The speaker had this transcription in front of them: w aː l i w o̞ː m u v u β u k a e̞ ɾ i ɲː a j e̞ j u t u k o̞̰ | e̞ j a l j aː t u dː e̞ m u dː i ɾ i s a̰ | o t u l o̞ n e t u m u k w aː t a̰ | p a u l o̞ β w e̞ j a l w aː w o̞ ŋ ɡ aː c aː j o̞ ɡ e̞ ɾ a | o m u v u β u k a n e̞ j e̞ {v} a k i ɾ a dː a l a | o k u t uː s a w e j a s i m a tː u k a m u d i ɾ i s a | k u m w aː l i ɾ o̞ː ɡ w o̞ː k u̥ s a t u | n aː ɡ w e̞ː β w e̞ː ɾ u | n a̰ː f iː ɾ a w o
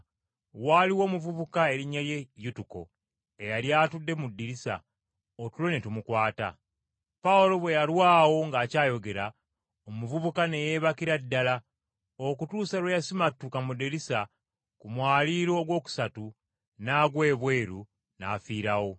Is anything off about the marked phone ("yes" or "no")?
yes